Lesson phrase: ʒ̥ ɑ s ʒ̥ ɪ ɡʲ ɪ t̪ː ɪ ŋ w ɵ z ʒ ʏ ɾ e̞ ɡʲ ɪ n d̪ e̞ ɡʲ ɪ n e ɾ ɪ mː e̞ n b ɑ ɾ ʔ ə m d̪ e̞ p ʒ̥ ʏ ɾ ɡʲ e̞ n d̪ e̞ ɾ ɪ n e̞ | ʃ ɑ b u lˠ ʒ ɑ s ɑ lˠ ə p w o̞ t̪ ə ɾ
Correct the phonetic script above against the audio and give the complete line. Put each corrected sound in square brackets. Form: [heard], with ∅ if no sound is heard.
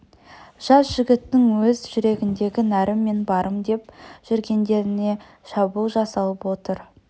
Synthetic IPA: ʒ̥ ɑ s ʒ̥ ɪ ɡʲ ɪ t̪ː ɪ ŋ w ɵ z ʒ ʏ ɾ e̞ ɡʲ ɪ n d̪ e̞ ɡʲ ɪ n [æ] ɾ ɪ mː e̞ n b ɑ ɾ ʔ ə m d̪ e̞ p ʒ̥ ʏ ɾ ɡʲ e̞ n d̪ e̞ ɾ ɪ n e̞ | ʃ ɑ b u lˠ ʒ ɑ s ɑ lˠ ə p w o̞ t̪ ə ɾ